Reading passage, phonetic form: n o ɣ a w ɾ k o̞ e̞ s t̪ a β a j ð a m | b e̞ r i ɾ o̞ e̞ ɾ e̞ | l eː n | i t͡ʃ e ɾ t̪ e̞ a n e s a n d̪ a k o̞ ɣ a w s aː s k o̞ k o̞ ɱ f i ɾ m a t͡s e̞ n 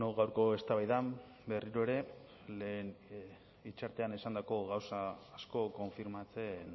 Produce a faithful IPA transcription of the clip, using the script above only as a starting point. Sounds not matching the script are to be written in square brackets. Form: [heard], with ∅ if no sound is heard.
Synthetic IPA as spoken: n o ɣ a w ɾ k o̞ e̞ s t̪ a β a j ð a m | b e̞ r i ɾ o̞ e̞ ɾ e̞ | l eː n | i t͡ʃ [a] ɾ t̪ e̞ a n e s a n d̪ a k o̞ ɣ a w s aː s k o̞ k o̞ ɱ f i ɾ m a t͡s e̞ n